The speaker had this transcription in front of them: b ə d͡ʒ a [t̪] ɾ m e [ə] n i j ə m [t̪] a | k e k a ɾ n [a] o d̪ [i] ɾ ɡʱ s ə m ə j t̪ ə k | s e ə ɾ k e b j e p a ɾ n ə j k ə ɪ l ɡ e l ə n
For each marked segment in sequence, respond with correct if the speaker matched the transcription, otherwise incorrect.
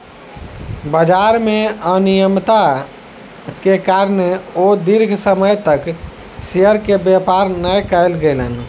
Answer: incorrect: none, correct, correct, incorrect: e, correct

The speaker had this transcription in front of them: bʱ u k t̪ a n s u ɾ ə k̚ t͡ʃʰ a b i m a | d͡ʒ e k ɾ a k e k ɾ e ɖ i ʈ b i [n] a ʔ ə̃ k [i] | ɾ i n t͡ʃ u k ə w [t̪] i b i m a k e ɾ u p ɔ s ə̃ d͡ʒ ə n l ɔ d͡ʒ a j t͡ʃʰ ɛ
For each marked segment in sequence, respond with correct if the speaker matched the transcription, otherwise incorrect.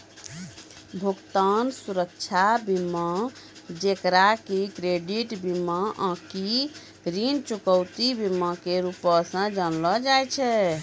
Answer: incorrect: m, correct, correct

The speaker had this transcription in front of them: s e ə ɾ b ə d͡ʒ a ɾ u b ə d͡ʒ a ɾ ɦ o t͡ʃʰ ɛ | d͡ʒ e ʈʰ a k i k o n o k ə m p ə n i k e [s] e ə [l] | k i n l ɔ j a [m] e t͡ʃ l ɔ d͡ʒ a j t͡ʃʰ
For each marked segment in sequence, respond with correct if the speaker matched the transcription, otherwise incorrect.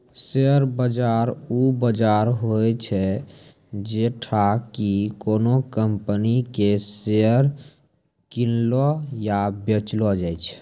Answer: correct, incorrect: ɾ, incorrect: b

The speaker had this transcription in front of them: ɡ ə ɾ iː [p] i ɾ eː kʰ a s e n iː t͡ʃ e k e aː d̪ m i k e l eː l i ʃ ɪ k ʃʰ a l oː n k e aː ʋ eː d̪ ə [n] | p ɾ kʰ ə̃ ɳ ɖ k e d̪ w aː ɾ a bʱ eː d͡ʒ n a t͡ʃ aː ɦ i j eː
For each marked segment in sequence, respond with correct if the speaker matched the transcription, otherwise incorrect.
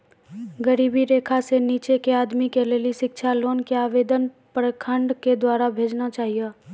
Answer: incorrect: b, correct

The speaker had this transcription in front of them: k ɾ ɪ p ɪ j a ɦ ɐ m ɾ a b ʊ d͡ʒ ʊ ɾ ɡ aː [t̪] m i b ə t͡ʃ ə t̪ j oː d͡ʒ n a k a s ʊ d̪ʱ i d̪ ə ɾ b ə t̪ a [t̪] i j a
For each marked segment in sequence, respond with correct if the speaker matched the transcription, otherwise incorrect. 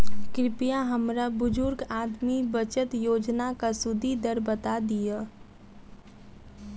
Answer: incorrect: d̪, incorrect: d̪

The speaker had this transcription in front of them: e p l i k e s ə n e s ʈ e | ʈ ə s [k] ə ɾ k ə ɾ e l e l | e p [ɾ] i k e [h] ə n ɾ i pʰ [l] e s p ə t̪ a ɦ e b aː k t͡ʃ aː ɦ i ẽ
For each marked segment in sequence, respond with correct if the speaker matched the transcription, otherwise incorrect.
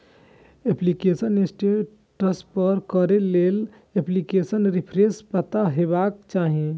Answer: incorrect: p, incorrect: l, incorrect: s, incorrect: ɾ

